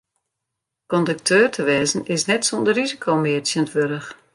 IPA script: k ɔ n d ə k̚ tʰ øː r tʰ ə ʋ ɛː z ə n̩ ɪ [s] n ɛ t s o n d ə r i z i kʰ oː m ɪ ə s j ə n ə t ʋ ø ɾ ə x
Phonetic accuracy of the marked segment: correct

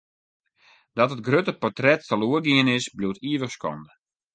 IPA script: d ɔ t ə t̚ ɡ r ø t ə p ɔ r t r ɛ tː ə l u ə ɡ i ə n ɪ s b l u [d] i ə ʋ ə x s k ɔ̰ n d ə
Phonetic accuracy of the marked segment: incorrect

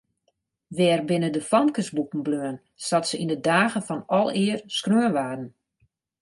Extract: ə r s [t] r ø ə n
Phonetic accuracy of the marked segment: incorrect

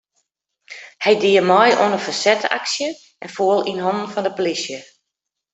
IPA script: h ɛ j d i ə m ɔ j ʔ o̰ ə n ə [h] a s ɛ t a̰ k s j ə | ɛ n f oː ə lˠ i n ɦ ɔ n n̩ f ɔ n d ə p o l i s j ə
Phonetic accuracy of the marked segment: incorrect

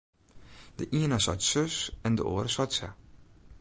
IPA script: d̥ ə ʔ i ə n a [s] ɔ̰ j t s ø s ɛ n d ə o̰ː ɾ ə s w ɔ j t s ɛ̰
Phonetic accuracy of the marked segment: correct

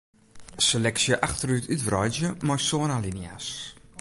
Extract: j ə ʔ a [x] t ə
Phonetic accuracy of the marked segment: correct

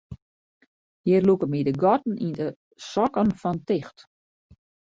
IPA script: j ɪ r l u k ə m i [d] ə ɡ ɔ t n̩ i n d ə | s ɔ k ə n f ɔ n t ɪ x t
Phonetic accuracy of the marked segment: correct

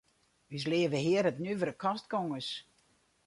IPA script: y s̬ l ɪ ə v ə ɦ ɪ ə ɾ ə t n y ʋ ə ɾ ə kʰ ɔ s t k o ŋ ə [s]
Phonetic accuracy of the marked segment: correct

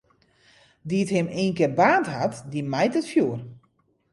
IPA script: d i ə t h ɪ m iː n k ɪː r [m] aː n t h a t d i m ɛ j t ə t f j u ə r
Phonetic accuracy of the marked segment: incorrect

